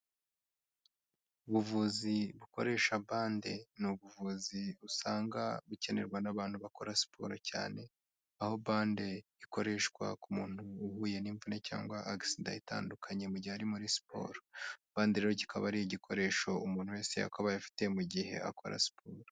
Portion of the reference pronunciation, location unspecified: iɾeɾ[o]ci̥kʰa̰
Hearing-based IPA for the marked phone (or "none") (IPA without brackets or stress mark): o